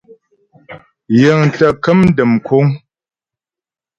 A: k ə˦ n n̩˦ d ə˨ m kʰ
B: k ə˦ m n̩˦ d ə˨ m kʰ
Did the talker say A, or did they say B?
B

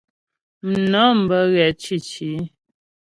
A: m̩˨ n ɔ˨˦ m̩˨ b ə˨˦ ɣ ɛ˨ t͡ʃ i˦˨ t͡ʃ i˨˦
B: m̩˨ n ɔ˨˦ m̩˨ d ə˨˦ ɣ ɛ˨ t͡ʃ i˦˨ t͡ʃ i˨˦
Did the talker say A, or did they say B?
A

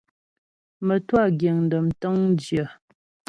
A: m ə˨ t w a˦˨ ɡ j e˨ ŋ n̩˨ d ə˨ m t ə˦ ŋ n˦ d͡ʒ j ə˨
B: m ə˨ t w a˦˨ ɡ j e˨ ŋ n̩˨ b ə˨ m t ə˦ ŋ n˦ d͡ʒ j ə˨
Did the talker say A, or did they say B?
A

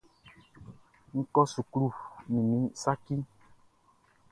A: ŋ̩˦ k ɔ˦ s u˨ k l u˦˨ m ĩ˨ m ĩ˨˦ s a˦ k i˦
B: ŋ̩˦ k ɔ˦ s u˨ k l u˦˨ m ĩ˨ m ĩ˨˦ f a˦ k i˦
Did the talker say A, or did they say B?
A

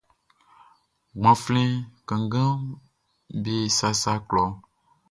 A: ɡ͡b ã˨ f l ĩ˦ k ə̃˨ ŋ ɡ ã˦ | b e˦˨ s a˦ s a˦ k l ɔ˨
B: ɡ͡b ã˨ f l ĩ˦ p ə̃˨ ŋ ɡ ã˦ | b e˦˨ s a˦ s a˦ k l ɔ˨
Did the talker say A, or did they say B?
A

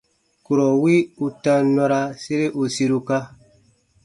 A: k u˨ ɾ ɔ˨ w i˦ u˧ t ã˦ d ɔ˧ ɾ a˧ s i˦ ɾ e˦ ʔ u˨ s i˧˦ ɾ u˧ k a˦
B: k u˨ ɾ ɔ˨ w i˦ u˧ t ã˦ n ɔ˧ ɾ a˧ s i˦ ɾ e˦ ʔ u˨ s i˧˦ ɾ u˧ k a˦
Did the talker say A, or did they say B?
B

